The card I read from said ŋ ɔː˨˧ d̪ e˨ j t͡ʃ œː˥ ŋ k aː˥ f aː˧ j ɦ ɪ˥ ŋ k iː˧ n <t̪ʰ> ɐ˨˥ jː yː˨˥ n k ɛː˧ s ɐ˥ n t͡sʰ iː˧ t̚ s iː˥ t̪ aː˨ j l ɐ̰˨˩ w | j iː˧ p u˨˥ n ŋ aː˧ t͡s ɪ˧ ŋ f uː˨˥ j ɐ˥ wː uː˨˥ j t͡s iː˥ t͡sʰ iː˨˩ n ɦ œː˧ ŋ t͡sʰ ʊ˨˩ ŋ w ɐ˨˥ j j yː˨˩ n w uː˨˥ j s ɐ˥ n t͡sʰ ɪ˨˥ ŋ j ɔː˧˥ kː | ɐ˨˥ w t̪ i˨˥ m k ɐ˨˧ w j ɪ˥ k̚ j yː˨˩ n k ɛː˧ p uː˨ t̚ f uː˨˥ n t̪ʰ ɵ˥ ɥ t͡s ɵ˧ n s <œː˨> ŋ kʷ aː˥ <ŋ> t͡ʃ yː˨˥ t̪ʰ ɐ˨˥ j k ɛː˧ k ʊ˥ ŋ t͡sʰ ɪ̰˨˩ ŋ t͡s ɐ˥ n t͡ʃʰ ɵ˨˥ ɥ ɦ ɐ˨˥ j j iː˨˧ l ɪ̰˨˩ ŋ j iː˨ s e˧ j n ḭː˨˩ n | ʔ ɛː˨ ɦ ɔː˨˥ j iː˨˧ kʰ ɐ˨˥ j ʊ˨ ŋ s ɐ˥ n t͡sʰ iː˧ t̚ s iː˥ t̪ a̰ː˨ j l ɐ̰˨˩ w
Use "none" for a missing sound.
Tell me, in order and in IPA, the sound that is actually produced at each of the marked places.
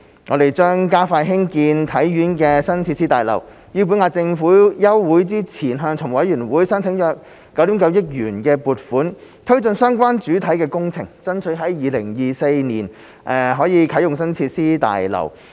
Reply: t̪ʰ, œː˥, n

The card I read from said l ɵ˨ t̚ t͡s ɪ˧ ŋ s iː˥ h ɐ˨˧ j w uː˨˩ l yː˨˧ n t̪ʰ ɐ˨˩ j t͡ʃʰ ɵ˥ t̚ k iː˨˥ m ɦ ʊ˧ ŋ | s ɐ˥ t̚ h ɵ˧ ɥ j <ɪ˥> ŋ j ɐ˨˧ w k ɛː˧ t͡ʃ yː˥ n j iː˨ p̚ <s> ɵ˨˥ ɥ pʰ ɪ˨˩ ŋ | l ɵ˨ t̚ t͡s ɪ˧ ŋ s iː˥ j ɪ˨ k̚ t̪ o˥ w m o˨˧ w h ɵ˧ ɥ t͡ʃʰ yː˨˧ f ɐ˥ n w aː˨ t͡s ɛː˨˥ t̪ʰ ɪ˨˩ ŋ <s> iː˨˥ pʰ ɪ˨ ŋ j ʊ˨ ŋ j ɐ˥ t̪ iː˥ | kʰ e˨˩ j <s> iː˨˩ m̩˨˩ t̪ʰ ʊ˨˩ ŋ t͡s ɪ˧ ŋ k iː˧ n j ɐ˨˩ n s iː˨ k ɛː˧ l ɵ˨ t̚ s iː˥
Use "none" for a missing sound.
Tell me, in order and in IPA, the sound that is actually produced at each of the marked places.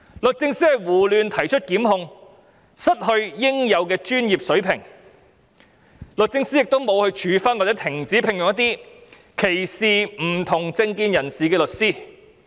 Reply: ɪ˥, s, t͡s, s

